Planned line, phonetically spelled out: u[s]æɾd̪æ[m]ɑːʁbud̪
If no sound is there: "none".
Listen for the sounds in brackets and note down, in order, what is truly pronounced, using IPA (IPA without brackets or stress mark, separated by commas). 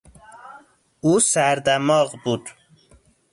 s, m